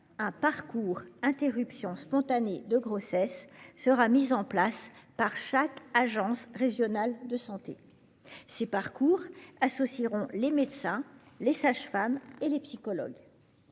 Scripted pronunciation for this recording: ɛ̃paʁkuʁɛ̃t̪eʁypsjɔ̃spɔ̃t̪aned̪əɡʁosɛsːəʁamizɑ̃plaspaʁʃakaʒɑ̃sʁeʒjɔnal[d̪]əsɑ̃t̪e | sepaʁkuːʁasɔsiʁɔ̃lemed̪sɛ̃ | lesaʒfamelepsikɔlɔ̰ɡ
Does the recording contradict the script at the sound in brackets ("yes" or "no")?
no